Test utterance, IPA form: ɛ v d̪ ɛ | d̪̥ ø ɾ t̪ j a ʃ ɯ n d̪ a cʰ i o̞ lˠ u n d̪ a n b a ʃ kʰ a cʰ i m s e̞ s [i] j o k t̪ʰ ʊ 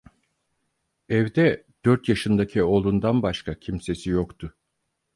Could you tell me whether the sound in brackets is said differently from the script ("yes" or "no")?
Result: no